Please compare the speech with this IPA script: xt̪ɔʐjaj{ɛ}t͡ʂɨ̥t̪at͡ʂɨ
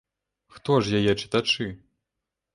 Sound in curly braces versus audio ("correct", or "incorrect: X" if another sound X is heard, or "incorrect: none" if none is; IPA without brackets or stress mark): correct